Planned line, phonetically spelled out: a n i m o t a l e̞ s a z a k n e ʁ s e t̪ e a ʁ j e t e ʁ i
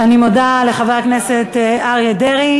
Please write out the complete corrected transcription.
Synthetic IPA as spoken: a n i m o d a l e̞ χ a v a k n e s e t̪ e a ʁ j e d e ʁ i